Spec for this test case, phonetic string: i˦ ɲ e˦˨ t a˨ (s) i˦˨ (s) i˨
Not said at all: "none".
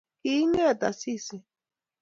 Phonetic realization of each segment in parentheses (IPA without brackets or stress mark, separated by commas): s, s